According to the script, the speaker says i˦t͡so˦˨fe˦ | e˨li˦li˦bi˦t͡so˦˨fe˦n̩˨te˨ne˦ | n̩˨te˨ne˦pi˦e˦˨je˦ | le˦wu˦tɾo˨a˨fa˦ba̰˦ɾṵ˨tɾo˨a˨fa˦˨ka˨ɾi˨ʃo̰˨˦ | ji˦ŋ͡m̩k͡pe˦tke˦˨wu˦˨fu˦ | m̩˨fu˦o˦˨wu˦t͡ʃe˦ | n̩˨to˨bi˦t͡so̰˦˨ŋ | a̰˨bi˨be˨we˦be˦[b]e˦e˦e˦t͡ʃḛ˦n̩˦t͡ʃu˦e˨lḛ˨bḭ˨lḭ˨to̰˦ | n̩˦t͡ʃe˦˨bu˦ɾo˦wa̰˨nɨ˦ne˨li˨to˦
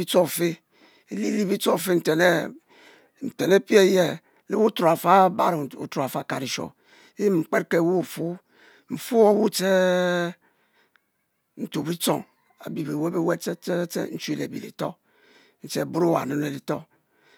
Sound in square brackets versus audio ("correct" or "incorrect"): incorrect